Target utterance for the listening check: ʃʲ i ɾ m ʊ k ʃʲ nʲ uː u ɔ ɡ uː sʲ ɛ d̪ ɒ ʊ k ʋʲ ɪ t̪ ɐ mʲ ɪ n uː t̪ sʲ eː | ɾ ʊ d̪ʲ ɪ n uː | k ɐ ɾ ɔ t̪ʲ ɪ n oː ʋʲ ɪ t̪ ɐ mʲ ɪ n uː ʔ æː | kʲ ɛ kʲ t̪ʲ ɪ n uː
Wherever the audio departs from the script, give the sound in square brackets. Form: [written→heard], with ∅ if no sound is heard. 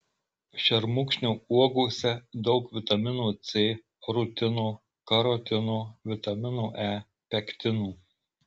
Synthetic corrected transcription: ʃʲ [i→ɛ] ɾ m ʊ k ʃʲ nʲ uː u ɔ ɡ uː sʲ ɛ d̪ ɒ ʊ k ʋʲ ɪ t̪ ɐ mʲ ɪ n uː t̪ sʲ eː | ɾ ʊ [d̪ʲ→t̪ʲ] ɪ n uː | k ɐ ɾ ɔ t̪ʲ ɪ n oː ʋʲ ɪ t̪ ɐ mʲ ɪ n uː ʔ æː | [kʲ→pʲ] ɛ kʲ t̪ʲ ɪ n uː

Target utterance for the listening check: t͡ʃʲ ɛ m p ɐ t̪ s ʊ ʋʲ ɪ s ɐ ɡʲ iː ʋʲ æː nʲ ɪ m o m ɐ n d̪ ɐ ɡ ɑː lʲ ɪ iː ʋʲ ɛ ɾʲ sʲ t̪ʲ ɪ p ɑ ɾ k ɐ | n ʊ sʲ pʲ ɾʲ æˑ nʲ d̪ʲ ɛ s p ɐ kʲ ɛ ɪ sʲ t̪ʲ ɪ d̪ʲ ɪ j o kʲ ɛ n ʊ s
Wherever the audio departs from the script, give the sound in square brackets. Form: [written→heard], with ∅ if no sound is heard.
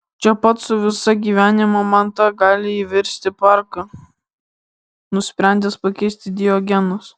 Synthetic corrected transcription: t͡ʃʲ ɛ [m→∅] p ɐ t̪ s ʊ ʋʲ ɪ s ɐ ɡʲ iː ʋʲ æː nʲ ɪ m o m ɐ n [d̪→t̪] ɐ ɡ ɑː lʲ ɪ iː ʋʲ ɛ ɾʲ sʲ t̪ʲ ɪ p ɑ ɾ k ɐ | n ʊ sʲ pʲ ɾʲ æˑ nʲ d̪ʲ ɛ s p ɐ kʲ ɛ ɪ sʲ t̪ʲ ɪ d̪ʲ ɪ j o [kʲ→ɡʲ] ɛ n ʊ s

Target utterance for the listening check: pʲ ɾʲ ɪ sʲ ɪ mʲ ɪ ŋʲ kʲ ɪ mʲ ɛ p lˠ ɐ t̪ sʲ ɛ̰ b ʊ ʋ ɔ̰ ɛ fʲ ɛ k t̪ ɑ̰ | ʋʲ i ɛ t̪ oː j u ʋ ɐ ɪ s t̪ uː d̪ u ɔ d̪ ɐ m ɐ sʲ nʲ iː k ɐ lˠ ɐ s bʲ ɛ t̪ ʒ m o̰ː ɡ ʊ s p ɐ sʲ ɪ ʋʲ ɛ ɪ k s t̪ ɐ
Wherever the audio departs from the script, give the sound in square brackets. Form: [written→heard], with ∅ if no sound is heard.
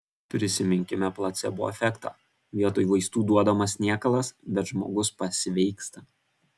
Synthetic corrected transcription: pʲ ɾʲ ɪ sʲ ɪ mʲ ɪ ŋʲ kʲ ɪ mʲ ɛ p lˠ ɐ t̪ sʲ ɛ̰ b ʊ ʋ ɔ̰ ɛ fʲ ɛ k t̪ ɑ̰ | ʋʲ i ɛ t̪ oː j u ʋ ɐ ɪ s t̪ uː d̪ u ɔ d̪ ɐ m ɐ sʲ nʲ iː k ɐ lˠ ɐ s bʲ ɛ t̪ ʒ m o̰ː ɡ ʊ s p ɐ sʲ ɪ ʋʲ ɛ ɪ k s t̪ ɐ

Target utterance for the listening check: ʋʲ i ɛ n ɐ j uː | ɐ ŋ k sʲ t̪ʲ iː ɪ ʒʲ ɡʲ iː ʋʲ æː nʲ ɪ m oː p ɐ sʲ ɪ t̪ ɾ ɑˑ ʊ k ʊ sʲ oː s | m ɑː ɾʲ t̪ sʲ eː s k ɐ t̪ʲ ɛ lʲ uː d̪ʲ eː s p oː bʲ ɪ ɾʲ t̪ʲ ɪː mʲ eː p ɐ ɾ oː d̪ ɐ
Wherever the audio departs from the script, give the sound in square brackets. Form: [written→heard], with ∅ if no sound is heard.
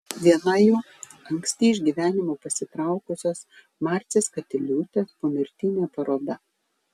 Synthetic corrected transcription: ʋʲ i ɛ n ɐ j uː | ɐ ŋ k sʲ t̪ʲ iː ɪ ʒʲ ɡʲ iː ʋʲ æː nʲ ɪ m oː p ɐ sʲ ɪ t̪ ɾ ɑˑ ʊ k ʊ sʲ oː s | m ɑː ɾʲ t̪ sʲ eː s k ɐ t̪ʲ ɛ lʲ uː [d̪ʲ→t̪ʲ] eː s p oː [bʲ→mʲ] ɪ ɾʲ t̪ʲ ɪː [mʲ→nʲ] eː p ɐ ɾ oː d̪ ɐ

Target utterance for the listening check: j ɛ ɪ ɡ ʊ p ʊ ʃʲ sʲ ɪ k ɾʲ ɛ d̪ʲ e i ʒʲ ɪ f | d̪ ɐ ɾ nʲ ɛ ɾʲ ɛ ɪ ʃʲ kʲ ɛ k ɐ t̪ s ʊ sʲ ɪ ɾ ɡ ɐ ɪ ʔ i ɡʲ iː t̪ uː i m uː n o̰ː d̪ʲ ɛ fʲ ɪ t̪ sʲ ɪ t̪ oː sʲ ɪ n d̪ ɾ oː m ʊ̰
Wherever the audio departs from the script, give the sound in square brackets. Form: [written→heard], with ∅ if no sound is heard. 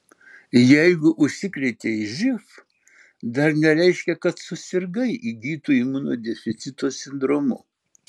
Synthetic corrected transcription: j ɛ ɪ ɡ ʊ [p→ʔ] ʊ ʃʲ sʲ ɪ k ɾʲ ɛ [d̪ʲ→t̪ʲ] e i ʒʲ ɪ f | d̪ ɐ ɾ nʲ ɛ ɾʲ ɛ ɪ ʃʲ kʲ ɛ k ɐ t̪ s ʊ sʲ ɪ ɾ ɡ ɐ ɪ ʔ i ɡʲ iː t̪ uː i m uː n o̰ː d̪ʲ ɛ fʲ ɪ t̪ sʲ ɪ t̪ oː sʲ ɪ n d̪ ɾ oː m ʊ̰

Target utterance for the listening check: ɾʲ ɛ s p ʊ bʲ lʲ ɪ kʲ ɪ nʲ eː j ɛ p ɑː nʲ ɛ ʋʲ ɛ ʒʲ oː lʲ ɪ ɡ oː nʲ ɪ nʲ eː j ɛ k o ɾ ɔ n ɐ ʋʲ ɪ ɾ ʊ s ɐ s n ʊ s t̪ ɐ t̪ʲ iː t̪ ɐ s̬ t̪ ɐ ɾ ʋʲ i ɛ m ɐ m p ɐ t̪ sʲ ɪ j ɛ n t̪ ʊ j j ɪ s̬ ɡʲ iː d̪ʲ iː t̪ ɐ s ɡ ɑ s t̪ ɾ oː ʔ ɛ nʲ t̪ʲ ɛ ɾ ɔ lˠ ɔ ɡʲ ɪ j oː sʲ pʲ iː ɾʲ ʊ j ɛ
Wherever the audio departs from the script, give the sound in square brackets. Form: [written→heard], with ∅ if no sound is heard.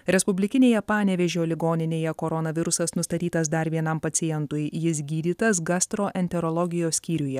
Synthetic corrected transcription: ɾʲ ɛ s p ʊ bʲ lʲ ɪ kʲ ɪ nʲ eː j ɛ p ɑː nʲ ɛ ʋʲ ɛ ʒʲ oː lʲ ɪ ɡ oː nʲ ɪ nʲ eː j ɛ k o ɾ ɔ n ɐ ʋʲ ɪ ɾ ʊ s ɐ s n ʊ s t̪ ɐ t̪ʲ iː t̪ ɐ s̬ [t̪→d̪] ɐ ɾ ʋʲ i ɛ [m→n] ɐ m p ɐ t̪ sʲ ɪ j ɛ n t̪ ʊ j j ɪ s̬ ɡʲ iː d̪ʲ iː t̪ ɐ s ɡ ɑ s t̪ ɾ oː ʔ ɛ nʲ t̪ʲ ɛ ɾ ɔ lˠ ɔ ɡʲ ɪ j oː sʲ [pʲ→kʲ] iː ɾʲ ʊ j ɛ

